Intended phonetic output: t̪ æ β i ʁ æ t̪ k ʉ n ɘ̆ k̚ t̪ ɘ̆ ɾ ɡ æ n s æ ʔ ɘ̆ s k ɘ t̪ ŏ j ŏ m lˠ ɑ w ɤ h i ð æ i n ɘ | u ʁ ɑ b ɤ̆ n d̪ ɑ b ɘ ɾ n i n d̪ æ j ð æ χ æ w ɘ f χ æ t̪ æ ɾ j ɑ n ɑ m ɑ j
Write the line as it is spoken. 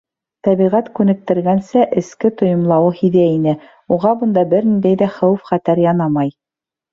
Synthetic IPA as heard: t̪ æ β i ʁ æ t̪ k ʉ n ɘ̆ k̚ t̪ ɘ̆ ɾ ɡ æ n s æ ʔ ɘ̆ s k ɘ t̪ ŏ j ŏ m lˠ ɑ w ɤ h i ð æ i n ɘ | u ʁ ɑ b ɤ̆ n d̪ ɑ b ɘ ɾ n i n d̪ æ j ð æ χ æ w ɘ f χ æ t̪ æ ɾ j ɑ n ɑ m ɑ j